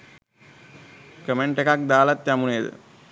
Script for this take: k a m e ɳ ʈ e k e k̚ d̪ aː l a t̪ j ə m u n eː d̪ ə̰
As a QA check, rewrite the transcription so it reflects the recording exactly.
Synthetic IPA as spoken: k ə m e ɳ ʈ e k a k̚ d̪ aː l a t̪ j a m u n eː d̪ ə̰

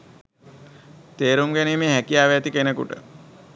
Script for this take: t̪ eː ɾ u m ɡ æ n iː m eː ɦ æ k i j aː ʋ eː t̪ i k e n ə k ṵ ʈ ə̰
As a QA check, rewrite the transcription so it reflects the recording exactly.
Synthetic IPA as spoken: t̪ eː ɾ u m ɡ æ n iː m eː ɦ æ k i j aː ʋ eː t̪ i k e n ə k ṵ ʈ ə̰

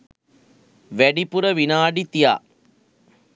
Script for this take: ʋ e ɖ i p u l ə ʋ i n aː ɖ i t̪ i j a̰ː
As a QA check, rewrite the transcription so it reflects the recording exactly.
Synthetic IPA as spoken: ʋ æ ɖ i p u ɾ ə ʋ i n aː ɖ i t̪ i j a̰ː

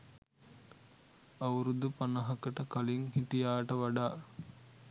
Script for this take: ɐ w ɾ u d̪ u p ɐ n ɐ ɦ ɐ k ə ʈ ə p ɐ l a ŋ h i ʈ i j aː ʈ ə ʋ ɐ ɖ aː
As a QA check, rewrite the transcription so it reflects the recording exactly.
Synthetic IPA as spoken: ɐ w ɾ u d̪ u p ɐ n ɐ ɦ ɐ k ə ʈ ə k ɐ l i ŋ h i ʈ i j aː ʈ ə ʋ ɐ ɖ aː

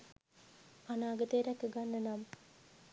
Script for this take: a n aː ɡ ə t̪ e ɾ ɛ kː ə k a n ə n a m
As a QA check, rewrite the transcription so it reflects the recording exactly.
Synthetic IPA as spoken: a n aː ɡ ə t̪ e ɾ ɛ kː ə ɡ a nː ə n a m

